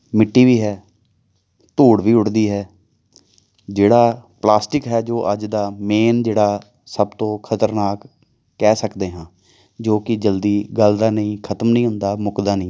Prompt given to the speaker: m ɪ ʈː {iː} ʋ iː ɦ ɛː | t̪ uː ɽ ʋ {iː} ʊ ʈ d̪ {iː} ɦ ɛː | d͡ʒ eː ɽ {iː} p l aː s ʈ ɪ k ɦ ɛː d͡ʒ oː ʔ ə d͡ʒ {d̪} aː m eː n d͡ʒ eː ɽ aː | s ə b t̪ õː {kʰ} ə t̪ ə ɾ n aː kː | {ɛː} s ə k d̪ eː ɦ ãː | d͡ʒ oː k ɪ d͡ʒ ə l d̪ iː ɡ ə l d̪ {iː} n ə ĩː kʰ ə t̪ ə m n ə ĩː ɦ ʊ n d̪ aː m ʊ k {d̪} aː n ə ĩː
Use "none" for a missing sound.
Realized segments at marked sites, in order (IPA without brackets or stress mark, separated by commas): iː, iː, iː, aː, d̪, kʰ, ɛː, aː, d̪